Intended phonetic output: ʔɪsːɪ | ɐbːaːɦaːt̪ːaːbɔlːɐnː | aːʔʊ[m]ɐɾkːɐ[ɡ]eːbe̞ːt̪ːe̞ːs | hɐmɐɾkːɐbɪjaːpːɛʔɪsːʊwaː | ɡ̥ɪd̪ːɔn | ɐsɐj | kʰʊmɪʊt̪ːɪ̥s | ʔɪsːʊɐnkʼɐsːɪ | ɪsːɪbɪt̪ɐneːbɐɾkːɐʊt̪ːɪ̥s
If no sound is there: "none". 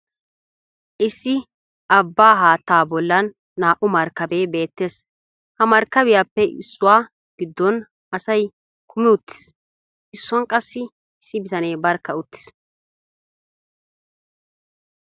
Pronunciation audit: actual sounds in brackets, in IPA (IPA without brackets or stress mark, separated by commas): m, b